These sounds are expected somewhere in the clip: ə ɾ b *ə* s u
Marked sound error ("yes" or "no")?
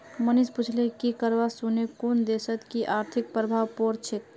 yes